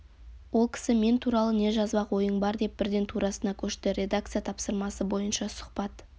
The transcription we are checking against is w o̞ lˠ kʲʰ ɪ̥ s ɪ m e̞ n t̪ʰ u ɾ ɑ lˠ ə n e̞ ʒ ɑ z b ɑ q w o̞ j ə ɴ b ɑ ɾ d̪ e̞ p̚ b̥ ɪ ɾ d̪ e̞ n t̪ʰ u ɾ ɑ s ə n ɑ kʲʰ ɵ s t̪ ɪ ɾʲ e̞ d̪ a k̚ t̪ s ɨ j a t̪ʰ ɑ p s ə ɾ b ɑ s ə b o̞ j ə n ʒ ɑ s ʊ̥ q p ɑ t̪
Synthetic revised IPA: w o̞ lˠ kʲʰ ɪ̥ s ɪ m e̞ n t̪ʰ u ɾ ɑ lˠ ə n e̞ ʒ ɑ z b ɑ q w o̞ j ə ɴ b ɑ ɾ d̪ e̞ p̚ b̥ ɪ ɾ d̪ e̞ n t̪ʰ u ɾ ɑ s ə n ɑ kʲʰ ɵ ʃ t̪ ɪ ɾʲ e̞ d̪ a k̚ t̪ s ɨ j a t̪ʰ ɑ p s ə ɾ m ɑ s ə b o̞ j ə n ʃ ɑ s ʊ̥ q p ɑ t̪